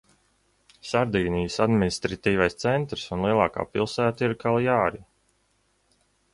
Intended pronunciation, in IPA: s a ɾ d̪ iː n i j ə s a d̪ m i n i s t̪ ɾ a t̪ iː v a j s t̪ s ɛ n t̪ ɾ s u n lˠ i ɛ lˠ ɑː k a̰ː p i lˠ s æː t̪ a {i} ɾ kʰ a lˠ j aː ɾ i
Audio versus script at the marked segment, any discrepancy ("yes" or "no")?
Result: no